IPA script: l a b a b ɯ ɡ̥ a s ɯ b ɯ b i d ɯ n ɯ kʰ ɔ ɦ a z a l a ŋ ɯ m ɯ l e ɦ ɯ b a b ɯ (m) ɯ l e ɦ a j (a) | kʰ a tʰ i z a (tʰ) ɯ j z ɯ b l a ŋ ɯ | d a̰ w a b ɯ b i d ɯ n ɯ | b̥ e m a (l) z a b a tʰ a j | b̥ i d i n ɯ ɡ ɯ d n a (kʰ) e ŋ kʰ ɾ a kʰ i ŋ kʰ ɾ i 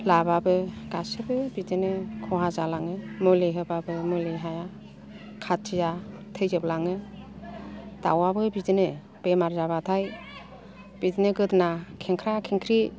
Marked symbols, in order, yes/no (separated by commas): yes, yes, yes, no, yes